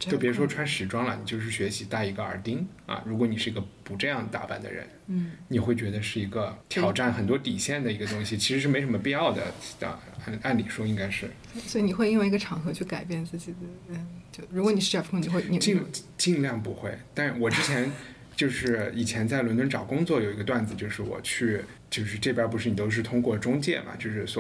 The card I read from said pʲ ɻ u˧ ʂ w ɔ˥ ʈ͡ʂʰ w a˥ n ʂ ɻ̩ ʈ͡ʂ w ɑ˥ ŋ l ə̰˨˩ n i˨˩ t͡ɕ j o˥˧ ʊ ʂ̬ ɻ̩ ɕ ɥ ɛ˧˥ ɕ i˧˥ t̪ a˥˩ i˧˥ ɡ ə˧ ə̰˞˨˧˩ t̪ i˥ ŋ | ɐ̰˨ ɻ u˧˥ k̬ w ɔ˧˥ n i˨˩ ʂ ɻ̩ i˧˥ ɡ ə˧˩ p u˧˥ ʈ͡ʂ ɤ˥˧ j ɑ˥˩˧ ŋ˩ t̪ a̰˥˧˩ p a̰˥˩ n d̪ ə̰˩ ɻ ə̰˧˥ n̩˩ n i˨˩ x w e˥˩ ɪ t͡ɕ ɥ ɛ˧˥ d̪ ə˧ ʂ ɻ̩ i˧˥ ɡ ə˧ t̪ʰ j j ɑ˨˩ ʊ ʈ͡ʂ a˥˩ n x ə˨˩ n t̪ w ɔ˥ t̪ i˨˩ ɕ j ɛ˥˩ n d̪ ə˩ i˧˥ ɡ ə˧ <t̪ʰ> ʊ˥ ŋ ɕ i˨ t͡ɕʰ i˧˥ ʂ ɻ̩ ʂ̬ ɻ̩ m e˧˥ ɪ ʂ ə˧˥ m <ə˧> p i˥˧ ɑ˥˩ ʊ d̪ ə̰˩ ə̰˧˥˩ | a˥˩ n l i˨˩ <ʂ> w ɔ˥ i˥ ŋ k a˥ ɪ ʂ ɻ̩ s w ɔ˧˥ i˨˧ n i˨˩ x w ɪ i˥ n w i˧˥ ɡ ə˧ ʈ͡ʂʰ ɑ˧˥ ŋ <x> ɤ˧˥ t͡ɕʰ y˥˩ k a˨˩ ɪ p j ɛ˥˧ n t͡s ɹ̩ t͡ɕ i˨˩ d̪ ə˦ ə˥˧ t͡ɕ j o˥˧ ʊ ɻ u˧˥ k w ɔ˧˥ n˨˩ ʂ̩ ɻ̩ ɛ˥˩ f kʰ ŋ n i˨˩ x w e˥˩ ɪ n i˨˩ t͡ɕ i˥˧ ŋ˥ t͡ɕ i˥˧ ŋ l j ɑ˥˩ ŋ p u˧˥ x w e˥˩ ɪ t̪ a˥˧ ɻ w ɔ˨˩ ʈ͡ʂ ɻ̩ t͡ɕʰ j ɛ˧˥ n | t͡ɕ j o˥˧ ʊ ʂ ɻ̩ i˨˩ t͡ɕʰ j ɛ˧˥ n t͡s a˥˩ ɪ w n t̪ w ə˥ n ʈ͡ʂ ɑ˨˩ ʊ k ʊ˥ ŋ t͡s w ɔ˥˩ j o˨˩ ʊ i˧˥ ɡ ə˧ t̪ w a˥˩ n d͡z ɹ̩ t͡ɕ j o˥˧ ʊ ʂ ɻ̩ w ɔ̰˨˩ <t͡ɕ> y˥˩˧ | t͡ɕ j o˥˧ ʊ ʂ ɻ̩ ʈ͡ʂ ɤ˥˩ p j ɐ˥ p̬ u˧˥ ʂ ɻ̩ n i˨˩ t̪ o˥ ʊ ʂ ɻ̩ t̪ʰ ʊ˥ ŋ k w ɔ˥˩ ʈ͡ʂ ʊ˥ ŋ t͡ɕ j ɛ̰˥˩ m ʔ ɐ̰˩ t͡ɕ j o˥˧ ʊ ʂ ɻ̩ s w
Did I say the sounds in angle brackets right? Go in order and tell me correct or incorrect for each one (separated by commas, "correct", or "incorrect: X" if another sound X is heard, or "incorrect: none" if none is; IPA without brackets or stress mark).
incorrect: t̪, correct, correct, correct, incorrect: t͡ɕʰ